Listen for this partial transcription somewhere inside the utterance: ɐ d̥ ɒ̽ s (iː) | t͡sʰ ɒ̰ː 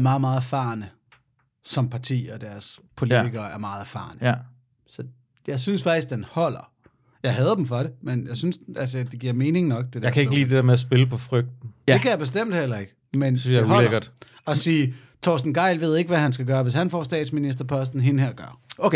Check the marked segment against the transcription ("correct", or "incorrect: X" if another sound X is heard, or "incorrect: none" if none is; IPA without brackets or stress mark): correct